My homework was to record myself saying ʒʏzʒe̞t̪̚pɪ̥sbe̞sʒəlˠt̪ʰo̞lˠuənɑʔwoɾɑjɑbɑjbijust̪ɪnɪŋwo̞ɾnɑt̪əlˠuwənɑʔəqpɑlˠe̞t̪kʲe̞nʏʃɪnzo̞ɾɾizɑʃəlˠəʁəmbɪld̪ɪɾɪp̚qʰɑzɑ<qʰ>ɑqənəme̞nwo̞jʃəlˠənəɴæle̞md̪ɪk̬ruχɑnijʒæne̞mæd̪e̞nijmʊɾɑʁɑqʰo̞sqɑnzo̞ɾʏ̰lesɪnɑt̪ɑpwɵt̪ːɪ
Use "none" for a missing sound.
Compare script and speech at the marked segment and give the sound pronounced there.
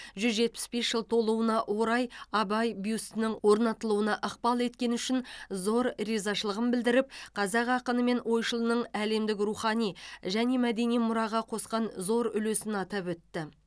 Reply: q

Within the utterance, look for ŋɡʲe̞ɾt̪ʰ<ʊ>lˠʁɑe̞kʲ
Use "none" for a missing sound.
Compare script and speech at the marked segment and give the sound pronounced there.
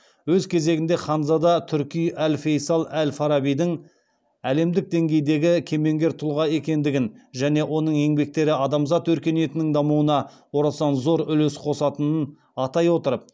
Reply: ʊ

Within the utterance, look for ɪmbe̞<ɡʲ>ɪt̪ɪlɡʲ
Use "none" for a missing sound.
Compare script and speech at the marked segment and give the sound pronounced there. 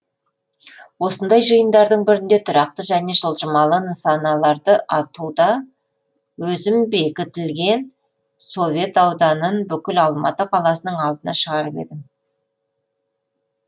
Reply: kʲ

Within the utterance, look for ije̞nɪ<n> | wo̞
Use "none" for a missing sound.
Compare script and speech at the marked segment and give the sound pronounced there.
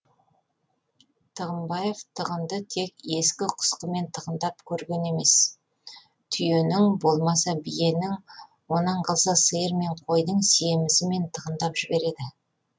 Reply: ŋ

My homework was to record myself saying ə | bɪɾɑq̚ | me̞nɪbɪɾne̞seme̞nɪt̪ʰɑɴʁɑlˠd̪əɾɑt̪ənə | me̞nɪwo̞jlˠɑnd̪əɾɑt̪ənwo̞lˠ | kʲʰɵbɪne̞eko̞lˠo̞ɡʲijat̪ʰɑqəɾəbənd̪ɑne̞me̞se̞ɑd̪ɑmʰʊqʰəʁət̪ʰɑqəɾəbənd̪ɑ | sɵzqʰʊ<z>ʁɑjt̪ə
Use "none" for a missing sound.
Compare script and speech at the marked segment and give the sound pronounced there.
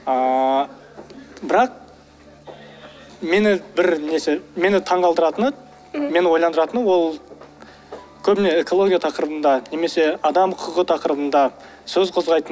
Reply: z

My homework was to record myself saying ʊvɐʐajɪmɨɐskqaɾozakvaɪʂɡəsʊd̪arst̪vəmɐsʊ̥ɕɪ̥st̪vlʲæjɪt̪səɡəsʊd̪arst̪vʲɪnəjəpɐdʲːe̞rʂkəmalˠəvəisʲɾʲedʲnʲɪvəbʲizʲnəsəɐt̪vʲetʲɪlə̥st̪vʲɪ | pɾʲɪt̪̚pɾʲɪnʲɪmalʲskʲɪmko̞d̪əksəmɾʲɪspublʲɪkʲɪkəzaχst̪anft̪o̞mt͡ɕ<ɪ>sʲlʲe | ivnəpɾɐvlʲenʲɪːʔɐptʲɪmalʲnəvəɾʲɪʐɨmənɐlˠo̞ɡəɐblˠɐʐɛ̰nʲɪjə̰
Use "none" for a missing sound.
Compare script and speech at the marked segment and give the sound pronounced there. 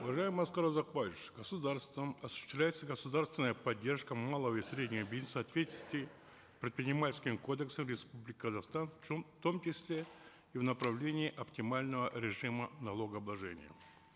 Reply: ɪ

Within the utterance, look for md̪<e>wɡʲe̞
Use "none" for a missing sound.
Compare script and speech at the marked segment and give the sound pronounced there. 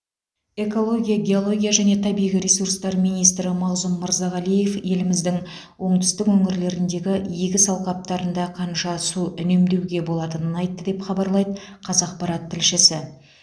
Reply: e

